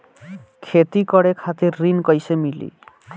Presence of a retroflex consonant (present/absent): present